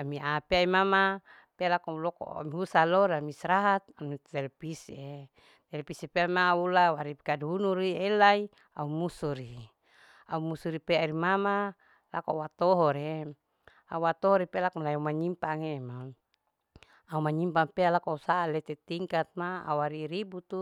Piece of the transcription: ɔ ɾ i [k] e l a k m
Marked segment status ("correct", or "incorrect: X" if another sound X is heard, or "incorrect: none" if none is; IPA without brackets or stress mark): incorrect: p